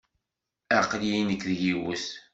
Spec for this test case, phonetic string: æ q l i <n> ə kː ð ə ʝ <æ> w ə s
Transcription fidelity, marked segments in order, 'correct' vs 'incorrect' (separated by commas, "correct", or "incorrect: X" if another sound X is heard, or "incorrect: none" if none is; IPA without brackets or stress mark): correct, incorrect: i